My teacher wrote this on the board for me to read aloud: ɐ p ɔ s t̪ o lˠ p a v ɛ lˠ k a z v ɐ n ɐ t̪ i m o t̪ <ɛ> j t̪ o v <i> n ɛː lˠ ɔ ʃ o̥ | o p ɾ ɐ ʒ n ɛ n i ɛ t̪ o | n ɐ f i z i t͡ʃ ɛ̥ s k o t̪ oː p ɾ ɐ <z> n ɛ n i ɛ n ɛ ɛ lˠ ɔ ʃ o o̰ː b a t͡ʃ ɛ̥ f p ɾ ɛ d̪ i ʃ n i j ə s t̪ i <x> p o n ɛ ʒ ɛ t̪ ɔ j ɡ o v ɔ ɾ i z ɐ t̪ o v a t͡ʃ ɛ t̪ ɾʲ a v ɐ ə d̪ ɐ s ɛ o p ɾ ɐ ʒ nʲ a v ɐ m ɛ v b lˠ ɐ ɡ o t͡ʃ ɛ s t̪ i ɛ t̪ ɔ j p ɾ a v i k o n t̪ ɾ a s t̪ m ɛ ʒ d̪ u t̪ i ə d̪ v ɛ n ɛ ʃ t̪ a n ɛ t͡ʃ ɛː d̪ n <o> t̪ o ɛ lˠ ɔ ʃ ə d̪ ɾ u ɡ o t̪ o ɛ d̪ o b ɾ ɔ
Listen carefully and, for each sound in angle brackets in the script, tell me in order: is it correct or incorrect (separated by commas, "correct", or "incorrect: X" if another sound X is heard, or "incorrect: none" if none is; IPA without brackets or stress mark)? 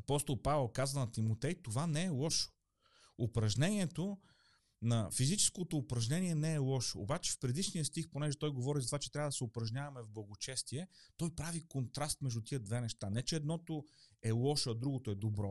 correct, incorrect: a, incorrect: ʒ, correct, incorrect: ɔ